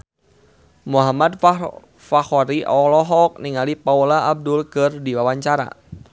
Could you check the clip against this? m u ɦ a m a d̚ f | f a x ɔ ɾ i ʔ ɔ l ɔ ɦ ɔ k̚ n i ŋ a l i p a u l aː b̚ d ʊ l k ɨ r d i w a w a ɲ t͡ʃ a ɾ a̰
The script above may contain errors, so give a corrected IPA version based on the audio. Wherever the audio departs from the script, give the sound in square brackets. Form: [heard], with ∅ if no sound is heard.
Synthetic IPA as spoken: m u ɦ a m a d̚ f | f a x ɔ ɾ i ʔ ɔ l ɔ ɦ ɔ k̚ n i ŋ a l i p a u l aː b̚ d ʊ l k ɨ r d i w a w a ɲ t͡ʃ a ɾ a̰